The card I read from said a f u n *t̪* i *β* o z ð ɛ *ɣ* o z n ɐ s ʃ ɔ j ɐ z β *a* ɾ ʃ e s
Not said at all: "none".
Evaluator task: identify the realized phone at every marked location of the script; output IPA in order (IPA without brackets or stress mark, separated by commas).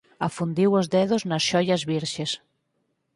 d̪, w, ð, i